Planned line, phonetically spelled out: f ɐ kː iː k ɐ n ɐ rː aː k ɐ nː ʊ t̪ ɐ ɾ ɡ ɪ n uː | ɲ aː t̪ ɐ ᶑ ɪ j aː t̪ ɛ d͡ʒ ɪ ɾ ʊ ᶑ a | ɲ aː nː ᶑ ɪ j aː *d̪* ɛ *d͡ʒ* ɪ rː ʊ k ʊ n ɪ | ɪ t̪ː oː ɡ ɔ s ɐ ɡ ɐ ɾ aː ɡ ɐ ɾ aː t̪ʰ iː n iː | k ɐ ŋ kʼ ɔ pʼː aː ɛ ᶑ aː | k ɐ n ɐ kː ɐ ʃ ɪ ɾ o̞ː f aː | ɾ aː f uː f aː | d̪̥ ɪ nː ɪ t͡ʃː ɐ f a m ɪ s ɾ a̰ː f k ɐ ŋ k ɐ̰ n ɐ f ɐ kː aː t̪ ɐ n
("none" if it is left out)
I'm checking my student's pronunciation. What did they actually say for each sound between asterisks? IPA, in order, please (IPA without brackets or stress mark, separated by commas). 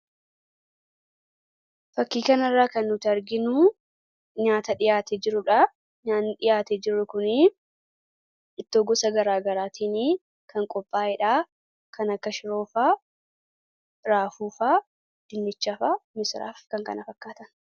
t̪, d͡ʒ